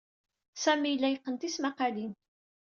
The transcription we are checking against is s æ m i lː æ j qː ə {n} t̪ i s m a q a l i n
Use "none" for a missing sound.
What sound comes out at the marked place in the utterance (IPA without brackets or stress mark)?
n